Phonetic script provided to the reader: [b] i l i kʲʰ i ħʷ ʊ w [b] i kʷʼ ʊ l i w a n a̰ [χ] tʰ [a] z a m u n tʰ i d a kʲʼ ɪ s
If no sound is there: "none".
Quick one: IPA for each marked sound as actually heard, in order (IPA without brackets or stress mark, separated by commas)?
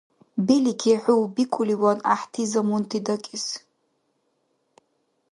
b, b, ħ, i